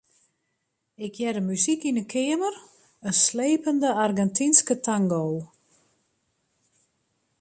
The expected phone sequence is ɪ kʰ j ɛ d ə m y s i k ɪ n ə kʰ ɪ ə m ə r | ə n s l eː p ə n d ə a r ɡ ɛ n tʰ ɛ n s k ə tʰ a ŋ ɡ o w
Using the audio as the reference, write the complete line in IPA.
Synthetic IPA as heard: ɪ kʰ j ɛ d ə m y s i k i n ə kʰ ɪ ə m ə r | ə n s l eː p ə n d ə a r ɡ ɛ n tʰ i n s k ə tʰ a ŋ ɡ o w